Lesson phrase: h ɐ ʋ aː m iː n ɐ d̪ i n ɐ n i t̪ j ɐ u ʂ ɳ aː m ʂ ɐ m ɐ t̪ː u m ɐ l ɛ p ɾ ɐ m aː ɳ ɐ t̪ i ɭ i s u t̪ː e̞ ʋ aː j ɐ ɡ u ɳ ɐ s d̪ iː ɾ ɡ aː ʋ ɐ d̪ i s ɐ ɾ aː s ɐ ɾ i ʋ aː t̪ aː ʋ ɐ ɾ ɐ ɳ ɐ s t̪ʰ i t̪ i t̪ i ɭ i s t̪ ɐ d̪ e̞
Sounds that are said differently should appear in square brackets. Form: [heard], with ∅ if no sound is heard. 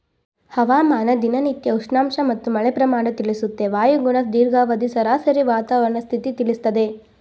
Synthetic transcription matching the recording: h ɐ ʋ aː m [aː] n ɐ d̪ i n ɐ n i t̪ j ɐ u ʂ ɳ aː m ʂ ɐ m ɐ t̪ː u m ɐ [ɭ] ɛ p ɾ ɐ m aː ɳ ɐ t̪ i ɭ i s u t̪ː e̞ ʋ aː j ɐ ɡ u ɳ ɐ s d̪ iː ɾ ɡ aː ʋ ɐ d̪ i s ɐ ɾ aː s ɐ ɾ i ʋ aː t̪ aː ʋ ɐ ɾ ɐ ɳ ɐ s t̪ʰ i t̪ i t̪ i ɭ i s t̪ ɐ d̪ e̞